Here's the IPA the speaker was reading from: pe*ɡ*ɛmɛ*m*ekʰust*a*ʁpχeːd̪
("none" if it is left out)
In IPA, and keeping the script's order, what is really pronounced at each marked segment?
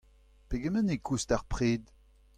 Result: ɡ, n, a

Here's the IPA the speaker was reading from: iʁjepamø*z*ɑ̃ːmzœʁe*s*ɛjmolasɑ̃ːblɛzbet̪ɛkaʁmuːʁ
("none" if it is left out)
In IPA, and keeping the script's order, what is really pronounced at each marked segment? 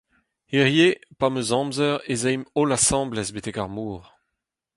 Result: z, z

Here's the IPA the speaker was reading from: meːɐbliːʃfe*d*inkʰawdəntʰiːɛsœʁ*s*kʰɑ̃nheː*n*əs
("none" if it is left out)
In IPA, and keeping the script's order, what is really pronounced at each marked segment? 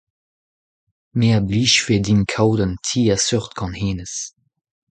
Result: d, t, n

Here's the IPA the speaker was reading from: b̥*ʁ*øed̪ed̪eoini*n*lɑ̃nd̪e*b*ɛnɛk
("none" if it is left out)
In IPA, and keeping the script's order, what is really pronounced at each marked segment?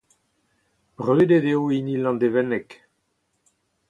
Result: ʁ, none, v

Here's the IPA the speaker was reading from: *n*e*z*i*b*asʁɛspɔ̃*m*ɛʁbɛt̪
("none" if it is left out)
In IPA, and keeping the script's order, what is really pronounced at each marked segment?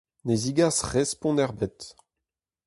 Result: n, z, ɡ, n

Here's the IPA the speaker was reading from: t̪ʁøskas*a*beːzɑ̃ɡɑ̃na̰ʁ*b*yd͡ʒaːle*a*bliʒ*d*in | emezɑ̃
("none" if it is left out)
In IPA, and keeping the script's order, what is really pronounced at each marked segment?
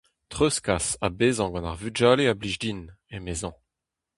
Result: a, v, a, d

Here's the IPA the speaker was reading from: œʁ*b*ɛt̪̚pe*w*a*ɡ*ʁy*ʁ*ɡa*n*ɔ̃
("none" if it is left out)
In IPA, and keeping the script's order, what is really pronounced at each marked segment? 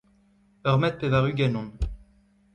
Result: m, v, none, none, n

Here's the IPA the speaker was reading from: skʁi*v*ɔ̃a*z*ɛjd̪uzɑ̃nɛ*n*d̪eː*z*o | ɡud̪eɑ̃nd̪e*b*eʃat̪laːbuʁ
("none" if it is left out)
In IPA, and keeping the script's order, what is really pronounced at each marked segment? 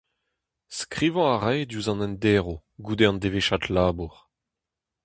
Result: v, ʁ, n, ʁ, v

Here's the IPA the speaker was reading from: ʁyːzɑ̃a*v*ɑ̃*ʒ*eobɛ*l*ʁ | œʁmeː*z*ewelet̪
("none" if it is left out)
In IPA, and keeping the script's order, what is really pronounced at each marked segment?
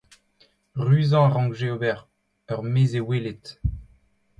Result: ʁ, ʒ, none, z

